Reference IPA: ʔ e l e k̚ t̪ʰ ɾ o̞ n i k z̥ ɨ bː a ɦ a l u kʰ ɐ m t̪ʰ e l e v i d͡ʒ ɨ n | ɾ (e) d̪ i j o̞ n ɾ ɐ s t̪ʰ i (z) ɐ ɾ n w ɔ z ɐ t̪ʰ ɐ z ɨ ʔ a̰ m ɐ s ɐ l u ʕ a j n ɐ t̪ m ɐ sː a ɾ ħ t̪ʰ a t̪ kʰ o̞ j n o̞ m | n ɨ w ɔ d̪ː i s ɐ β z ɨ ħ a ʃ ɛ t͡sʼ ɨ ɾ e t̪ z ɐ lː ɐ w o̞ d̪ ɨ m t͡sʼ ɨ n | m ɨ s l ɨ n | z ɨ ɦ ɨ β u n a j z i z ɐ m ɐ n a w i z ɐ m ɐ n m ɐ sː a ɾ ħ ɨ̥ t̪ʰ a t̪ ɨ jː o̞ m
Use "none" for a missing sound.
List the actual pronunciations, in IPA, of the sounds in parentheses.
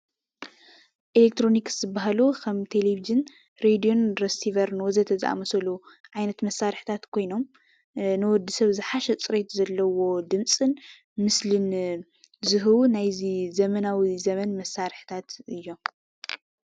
e, v

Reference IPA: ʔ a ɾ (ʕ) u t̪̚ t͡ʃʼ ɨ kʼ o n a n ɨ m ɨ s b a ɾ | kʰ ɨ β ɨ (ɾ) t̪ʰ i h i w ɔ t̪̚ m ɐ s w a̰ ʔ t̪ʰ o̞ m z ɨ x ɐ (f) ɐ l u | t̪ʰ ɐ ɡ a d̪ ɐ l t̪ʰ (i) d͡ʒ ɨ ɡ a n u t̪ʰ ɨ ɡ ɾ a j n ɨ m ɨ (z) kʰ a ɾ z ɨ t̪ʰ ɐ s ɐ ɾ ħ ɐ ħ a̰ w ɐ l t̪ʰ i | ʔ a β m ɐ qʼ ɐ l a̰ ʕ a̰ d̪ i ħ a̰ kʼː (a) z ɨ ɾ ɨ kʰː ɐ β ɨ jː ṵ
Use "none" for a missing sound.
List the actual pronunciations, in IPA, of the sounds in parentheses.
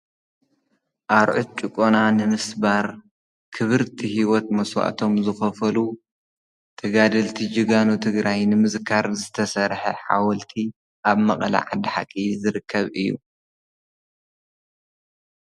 ʕ, ɾ, f, i, z, i

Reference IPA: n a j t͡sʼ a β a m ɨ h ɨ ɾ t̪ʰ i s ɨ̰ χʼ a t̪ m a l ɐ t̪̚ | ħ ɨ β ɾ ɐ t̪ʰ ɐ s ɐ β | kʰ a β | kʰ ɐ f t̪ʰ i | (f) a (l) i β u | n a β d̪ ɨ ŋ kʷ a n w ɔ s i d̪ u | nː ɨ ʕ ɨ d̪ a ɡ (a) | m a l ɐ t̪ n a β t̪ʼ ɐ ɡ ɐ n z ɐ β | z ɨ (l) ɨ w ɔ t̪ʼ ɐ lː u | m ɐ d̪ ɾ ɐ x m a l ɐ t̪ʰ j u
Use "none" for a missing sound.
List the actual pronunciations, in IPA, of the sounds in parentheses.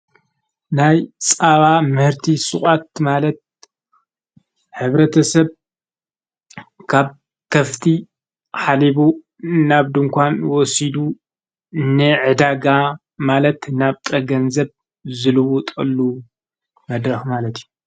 ħ, l, a, l

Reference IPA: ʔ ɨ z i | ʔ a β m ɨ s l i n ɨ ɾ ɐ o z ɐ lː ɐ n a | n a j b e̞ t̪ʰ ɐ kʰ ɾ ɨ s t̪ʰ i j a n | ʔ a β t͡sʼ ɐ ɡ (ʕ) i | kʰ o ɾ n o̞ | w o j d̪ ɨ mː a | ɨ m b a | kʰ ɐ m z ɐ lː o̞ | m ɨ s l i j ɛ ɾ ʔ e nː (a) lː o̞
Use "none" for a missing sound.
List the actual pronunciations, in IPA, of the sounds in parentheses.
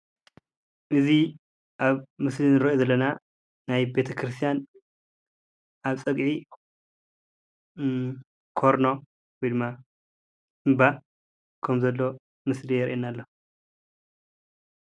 ʕ, a

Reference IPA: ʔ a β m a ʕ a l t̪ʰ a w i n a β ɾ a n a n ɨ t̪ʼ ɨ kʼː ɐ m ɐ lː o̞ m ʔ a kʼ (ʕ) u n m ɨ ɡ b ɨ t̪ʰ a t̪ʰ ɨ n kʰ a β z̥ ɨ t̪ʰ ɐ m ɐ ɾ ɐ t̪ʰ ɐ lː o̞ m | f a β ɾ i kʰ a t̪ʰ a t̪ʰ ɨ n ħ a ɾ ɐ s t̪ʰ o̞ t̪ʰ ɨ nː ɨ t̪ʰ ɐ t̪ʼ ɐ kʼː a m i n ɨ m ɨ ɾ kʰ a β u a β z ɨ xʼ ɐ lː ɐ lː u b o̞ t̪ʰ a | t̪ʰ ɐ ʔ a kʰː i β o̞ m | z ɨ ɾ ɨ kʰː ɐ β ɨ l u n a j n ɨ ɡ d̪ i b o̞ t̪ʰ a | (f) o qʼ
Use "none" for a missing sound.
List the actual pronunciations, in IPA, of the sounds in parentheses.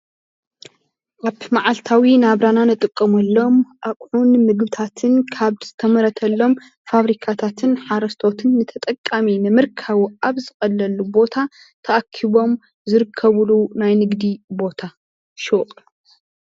ʕ, ʃ

